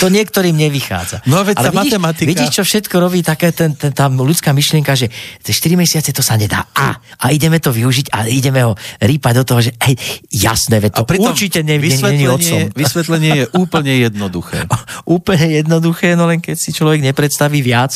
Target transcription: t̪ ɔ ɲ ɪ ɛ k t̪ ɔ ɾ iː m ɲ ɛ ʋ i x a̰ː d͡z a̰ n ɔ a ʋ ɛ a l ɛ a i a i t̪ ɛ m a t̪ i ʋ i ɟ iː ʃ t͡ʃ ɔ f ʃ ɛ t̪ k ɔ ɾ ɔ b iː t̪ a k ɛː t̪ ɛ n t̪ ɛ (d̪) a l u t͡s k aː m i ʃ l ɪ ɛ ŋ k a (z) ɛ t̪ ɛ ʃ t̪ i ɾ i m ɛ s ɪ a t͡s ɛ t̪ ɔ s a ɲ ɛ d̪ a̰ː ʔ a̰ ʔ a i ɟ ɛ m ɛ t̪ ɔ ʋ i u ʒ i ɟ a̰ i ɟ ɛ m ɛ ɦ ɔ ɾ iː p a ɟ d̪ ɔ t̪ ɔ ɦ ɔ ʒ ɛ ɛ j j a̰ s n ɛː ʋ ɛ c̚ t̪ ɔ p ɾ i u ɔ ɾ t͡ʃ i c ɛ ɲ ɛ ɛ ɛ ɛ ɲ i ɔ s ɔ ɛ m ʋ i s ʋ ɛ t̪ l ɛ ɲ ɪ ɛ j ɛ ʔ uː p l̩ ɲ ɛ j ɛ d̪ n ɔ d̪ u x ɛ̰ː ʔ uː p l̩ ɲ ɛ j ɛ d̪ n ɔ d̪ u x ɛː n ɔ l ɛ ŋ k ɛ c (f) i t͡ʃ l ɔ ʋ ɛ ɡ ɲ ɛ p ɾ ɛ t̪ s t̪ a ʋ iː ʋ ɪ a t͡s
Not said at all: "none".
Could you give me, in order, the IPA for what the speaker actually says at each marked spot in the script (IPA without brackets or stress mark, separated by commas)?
t̪, ʒ, s